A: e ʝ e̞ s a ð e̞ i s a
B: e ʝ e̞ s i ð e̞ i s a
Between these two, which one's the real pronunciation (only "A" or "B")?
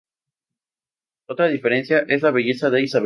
A